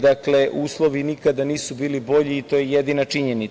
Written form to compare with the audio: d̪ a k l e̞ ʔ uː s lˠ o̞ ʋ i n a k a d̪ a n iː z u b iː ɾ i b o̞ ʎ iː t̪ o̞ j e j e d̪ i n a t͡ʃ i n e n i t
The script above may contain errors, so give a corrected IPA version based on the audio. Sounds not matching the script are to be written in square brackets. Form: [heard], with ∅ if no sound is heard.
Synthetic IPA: d̪ a k l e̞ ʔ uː s lˠ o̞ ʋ i n [i] k a d̪ a n iː [s] u b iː [l] i b o̞ ʎ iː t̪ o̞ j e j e d̪ i n a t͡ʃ i [ɲ] e n i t

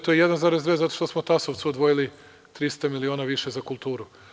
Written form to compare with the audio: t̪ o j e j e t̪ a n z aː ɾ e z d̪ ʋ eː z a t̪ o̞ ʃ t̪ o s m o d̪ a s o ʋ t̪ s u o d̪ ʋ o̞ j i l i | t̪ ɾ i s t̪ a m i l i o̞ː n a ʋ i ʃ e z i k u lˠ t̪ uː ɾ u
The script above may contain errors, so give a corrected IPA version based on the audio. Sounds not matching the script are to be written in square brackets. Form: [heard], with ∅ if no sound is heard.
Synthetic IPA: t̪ o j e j e [d̪] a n z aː ɾ e z d̪ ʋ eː z a t̪ o̞ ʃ t̪ o s m o [t̪] a s o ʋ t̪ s u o d̪ ʋ o̞ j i l i | t̪ ɾ i s t̪ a m i l i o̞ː n a ʋ i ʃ e z [a] k u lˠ t̪ uː ɾ u

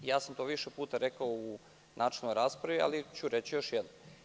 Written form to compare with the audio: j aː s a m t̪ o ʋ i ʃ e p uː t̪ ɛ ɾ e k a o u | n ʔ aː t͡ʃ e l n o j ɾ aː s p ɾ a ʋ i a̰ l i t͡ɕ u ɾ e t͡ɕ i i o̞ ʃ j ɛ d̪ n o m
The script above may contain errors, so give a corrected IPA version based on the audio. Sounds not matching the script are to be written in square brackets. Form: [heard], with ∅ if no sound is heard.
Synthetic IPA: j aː s a m t̪ o ʋ i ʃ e p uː t̪ [a] ɾ e k a o u | n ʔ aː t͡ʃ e l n o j ɾ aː s p ɾ a ʋ i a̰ l i t͡ɕ u ɾ e t͡ɕ i [j] o̞ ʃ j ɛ d̪ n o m

